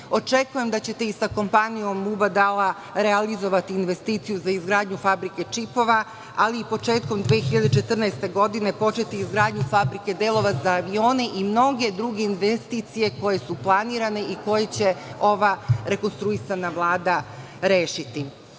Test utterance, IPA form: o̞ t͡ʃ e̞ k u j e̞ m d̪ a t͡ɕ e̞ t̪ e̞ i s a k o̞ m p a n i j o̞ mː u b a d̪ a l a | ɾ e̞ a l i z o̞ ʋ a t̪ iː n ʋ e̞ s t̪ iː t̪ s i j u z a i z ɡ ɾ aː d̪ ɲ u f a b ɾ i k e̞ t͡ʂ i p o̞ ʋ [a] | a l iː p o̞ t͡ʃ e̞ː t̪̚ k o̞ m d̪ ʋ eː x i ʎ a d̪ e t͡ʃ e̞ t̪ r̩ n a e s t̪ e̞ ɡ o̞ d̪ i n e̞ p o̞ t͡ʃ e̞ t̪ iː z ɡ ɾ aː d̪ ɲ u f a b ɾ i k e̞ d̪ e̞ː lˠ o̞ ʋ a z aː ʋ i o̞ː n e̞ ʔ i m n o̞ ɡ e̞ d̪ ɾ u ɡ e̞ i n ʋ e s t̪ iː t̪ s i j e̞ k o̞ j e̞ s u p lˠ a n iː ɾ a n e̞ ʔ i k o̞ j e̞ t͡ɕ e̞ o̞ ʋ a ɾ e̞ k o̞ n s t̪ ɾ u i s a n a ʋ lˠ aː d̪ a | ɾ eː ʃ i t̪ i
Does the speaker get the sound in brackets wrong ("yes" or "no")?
no